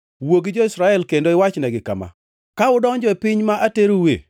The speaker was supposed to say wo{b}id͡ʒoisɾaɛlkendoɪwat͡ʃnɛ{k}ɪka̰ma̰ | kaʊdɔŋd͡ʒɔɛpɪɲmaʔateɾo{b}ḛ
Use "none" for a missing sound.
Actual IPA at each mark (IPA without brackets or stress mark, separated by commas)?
ɡ, ɡ, w